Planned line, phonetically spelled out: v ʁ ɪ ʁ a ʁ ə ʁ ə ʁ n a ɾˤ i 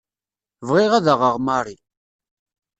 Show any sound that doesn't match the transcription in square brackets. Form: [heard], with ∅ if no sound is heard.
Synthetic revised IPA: v ʁ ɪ ʁ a [ð] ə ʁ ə ʁ [m] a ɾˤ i